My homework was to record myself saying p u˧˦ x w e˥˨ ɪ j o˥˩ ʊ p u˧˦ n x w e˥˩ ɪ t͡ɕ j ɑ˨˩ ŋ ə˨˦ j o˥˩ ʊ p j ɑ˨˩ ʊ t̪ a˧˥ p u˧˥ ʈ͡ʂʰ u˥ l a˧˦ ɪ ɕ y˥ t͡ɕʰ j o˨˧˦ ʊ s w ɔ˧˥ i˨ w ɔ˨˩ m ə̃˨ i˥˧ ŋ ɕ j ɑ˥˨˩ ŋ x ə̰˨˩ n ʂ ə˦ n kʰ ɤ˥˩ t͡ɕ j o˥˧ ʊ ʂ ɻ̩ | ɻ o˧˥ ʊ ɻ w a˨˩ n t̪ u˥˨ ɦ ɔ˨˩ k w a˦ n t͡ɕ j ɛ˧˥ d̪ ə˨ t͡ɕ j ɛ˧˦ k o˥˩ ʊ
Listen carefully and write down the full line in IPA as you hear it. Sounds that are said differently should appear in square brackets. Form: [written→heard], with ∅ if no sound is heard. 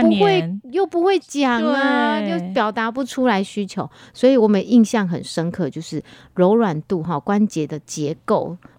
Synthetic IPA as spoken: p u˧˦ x w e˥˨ ɪ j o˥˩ ʊ p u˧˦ [n→∅] x w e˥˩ ɪ t͡ɕ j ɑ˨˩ ŋ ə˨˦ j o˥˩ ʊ p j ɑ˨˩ ʊ t̪ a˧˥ p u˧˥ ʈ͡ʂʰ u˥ l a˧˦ ɪ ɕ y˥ t͡ɕʰ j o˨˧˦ ʊ s w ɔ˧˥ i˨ w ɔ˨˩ m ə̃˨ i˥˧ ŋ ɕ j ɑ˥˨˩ ŋ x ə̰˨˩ n ʂ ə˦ n kʰ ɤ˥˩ t͡ɕ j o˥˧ ʊ ʂ ɻ̩ | ɻ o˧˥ ʊ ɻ w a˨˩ n t̪ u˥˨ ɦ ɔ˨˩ k w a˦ n t͡ɕ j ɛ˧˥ d̪ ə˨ t͡ɕ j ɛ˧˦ k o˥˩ ʊ